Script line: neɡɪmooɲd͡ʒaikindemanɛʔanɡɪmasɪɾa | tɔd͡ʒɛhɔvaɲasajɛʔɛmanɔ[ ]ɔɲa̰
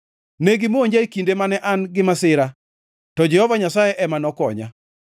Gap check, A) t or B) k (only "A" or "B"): B